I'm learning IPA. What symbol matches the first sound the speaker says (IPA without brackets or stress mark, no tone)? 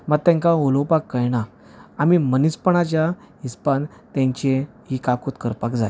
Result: m